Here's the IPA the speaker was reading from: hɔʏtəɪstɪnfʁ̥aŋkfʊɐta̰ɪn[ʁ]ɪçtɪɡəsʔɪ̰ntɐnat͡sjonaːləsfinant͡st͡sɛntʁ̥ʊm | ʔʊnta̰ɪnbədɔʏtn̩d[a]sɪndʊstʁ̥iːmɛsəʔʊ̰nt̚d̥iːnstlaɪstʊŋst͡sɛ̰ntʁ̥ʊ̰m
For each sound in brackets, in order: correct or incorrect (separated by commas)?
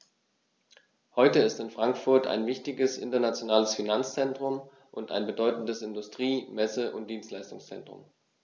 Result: incorrect, incorrect